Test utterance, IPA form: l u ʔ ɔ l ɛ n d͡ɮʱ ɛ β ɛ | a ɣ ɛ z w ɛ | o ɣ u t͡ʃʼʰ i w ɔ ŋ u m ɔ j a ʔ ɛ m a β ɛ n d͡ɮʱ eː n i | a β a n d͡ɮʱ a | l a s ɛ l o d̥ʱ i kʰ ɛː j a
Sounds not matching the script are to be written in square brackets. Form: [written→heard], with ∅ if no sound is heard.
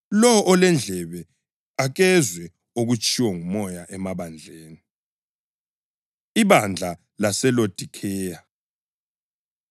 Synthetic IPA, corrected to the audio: l [u→ɔ] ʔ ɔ l ɛ n d͡ɮʱ ɛ β ɛ | a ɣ ɛ z w ɛ | o ɣ u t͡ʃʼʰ i w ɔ ŋ u m ɔ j a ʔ ɛ m a β [ɛ→a] n d͡ɮʱ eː n i | [a→i] β a n d͡ɮʱ a | l a s ɛ l o d̥ʱ i kʰ ɛː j a

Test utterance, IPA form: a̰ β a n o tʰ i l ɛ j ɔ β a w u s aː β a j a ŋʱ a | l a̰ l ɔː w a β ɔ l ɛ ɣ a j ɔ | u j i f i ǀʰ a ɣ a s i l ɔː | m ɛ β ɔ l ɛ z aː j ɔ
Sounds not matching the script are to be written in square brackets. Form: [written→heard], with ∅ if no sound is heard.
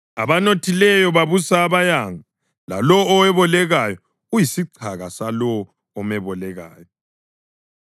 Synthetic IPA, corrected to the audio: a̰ β a n o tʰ i l ɛ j ɔ β a [w→β] u s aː β a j a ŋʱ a | l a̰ l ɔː w [a→ɛ] β ɔ l ɛ ɣ a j ɔ | u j i [f→s] i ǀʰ a ɣ a s [i→a] l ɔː | m ɛ β ɔ l ɛ [z→ɣ] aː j ɔ

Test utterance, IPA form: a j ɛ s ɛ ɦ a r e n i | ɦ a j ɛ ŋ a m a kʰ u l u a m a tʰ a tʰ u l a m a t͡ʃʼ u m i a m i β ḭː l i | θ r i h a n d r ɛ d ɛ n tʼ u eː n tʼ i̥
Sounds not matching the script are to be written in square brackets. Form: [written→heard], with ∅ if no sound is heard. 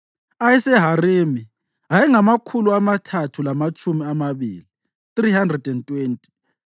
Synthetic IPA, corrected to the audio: a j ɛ s ɛ ɦ a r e [n→m] i | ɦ a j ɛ ŋ a m a kʰ u l u a m a tʰ a tʰ u l a m a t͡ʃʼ u m i a m [i→a] β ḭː l i | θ r i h a n d r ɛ d ɛ n tʼ [u→w] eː n tʼ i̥

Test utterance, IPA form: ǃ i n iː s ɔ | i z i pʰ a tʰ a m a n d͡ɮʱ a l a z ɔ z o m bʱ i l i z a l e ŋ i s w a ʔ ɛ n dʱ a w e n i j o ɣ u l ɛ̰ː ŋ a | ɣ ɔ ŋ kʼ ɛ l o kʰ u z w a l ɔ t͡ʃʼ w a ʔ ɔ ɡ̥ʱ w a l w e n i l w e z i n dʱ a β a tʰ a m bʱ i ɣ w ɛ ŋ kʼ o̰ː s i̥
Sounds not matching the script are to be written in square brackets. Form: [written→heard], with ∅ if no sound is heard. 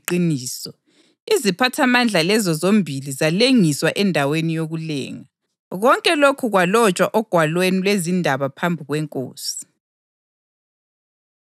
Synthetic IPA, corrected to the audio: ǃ i n iː s ɔ | i z i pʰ a tʰ a m a n d͡ɮʱ a l [a→ɛ] z ɔ z o m bʱ i l i z a l e ŋ i s w a ʔ ɛ n dʱ a w e n i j o ɣ u l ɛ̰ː ŋ a | ɣ ɔ ŋ kʼ ɛ l o kʰ u [z→ɣ] w a l ɔ t͡ʃʼ w a ʔ ɔ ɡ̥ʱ w a l w e n i l w e z i n dʱ a β a [tʰ→pʰ] a m bʱ i ɣ w ɛ ŋ kʼ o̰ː s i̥

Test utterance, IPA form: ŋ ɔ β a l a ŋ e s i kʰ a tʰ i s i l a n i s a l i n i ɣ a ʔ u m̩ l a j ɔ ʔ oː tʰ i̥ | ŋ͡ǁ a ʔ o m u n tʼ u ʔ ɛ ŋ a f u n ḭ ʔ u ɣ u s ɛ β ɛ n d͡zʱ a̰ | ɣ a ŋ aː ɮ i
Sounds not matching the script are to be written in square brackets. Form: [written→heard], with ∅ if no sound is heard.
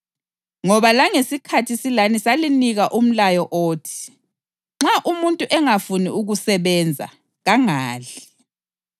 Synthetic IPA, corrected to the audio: ŋ ɔ β a l a ŋ e s i kʰ a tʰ i s i l a n i s a l i n i ɣ a ʔ u m̩ l a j ɔ ʔ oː tʰ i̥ | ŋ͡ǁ a ʔ [o→u] m u n tʼ u ʔ ɛ ŋ a f u n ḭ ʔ u ɣ u s ɛ β ɛ n d͡zʱ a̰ | ɣ a ŋ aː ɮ i

